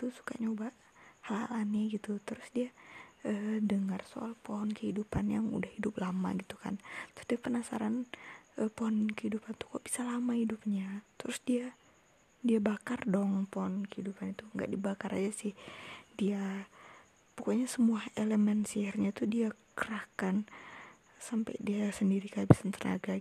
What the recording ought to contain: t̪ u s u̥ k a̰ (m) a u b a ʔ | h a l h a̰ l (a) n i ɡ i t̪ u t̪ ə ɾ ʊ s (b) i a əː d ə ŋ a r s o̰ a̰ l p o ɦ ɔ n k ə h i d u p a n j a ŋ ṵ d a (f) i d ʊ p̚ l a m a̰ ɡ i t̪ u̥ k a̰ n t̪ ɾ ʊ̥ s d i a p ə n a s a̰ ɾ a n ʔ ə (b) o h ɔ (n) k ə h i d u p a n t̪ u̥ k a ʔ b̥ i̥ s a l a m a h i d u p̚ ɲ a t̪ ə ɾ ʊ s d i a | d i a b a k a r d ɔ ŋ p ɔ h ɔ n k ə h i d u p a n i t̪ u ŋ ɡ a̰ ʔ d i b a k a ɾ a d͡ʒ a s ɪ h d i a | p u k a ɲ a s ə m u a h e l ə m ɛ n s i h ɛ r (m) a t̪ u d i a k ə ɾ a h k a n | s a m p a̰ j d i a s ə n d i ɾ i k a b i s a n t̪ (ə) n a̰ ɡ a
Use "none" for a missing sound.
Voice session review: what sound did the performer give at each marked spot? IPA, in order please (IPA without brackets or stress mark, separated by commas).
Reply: ɲ, a, d, h, p, n, ɲ, ə